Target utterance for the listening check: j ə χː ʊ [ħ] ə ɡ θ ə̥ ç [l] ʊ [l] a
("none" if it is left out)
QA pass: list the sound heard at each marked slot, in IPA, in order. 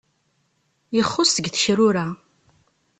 s, ɾ, ɾ

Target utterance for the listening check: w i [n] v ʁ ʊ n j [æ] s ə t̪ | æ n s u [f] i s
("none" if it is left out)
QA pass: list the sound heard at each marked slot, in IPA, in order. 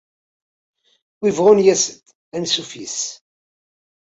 none, æ, f

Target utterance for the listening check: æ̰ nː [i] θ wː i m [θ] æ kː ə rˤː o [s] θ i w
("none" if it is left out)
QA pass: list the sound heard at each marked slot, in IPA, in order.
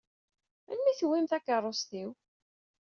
i, θ, s

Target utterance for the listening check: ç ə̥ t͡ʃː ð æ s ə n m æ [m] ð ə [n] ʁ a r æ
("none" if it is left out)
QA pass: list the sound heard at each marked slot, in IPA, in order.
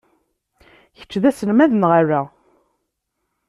none, n

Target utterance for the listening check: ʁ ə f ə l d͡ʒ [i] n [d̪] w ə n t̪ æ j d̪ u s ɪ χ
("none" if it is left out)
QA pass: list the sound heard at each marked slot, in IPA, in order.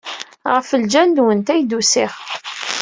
æ, d̪

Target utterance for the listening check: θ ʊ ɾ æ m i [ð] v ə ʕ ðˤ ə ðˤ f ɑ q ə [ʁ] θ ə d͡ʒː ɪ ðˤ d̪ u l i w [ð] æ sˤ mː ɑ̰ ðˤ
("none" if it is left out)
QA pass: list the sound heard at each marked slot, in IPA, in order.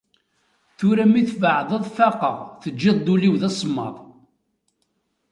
θ, ʁ, ð

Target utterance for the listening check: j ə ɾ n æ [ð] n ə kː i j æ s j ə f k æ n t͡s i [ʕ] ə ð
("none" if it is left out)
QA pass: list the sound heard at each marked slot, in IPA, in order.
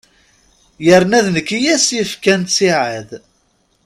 ð, ʕ

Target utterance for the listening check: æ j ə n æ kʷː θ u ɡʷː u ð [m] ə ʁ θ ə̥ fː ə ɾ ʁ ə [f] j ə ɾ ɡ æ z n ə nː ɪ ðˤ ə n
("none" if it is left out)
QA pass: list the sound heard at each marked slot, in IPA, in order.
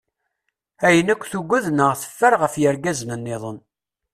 n, f

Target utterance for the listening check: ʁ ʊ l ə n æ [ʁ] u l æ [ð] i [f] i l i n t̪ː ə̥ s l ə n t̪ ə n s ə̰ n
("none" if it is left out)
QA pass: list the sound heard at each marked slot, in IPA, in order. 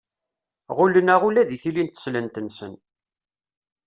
ʁ, ð, θ

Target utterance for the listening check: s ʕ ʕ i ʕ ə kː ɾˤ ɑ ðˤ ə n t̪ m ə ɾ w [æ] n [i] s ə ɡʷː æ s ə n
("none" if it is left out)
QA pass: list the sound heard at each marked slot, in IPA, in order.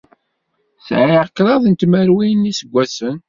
i, i

